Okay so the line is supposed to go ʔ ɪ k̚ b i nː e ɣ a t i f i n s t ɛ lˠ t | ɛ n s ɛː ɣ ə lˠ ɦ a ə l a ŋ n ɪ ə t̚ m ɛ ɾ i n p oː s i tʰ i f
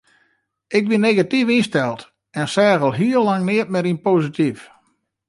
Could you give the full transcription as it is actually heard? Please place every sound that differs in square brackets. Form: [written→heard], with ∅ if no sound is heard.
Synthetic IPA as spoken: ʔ ɪ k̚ b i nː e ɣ a t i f i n s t ɛ lˠ t | ɛ n s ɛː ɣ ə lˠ ɦ [a→i] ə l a ŋ n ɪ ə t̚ m ɛ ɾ i n p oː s i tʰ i f